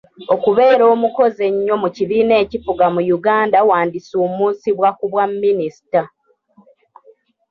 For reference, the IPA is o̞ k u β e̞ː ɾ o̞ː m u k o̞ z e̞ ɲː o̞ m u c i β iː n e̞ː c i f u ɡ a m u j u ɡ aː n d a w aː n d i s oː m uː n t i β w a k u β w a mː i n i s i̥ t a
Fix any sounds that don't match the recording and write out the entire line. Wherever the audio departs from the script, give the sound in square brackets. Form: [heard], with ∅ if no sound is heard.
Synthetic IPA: o̞ k u β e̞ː ɾ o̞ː m u k o̞ z e̞ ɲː o̞ m u c i β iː n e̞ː c i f u ɡ a m u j u ɡ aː n d a w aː n d i s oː m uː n [s] i β w a k u β w a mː i n i s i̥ t a